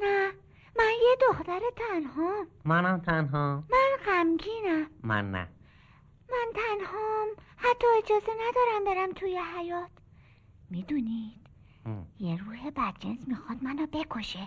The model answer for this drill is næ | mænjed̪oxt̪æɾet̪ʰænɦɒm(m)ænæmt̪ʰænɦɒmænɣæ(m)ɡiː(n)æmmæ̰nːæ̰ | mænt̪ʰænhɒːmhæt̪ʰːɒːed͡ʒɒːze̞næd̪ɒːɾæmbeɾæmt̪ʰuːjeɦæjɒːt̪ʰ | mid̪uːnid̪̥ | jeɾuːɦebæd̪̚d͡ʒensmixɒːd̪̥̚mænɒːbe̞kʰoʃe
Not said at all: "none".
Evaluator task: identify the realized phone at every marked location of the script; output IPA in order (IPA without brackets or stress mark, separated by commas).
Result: m, m, n